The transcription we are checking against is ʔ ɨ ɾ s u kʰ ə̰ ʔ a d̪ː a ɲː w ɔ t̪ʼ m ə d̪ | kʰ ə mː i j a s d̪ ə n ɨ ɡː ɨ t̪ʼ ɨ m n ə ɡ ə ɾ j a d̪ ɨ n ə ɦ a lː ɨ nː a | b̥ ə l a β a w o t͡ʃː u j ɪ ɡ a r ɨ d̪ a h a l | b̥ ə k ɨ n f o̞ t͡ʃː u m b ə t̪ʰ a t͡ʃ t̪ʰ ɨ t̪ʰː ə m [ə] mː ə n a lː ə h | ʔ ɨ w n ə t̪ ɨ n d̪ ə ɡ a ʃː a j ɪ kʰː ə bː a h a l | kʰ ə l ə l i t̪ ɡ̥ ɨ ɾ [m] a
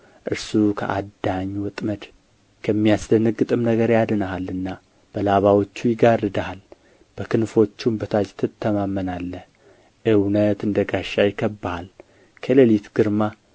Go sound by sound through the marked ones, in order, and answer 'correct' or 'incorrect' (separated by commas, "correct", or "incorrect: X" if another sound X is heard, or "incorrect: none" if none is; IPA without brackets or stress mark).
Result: incorrect: a, correct